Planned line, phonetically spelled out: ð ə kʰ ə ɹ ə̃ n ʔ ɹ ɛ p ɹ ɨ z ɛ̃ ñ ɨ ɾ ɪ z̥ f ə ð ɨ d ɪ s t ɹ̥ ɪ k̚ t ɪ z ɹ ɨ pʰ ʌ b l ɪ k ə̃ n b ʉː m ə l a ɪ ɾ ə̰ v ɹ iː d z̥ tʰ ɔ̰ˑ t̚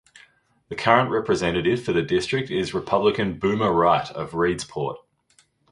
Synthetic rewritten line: ð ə kʰ ʌ ɹ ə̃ n ʔ ɹ ɛ p ɹ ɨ z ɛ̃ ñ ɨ ɾ ɪ v̥ f ə ð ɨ d ɪ s t ɹ̥ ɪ k̚ t ɪ z ɹ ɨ pʰ ʌ b l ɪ k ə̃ n b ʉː m ə ɹ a ɪ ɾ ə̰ v ɹ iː d z̥ pʰ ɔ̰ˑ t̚